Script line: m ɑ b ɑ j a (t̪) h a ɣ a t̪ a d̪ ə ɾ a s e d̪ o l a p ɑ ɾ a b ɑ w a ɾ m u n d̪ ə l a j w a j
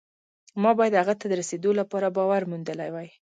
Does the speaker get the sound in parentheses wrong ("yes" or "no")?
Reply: yes